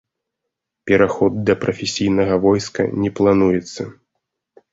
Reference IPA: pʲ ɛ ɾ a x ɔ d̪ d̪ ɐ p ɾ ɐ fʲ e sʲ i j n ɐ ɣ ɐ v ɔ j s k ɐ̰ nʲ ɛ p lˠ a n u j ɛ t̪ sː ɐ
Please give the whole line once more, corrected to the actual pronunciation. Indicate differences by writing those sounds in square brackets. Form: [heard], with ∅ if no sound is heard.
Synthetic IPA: pʲ ɛ ɾ a x ɔ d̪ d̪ ɐ p ɾ ɐ fʲ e sʲ i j n ɐ ɣ ɐ v ɔ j s k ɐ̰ nʲ ɛ p lˠ a n u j ɛ t̪ sː ɐ